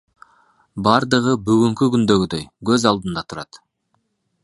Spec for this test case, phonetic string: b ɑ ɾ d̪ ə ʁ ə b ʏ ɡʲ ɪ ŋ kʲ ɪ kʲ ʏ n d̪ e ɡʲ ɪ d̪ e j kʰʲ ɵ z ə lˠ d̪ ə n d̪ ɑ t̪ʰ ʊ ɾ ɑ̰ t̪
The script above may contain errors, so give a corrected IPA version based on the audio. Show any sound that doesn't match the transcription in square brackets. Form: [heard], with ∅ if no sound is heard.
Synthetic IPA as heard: b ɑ ɾ d̪ ə ʁ ə b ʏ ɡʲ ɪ ŋ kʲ ɪ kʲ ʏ n d̪ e ɡʲ ɪ d̪ e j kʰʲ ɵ z [ɑ] lˠ d̪ ə n d̪ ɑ t̪ʰ ʊ ɾ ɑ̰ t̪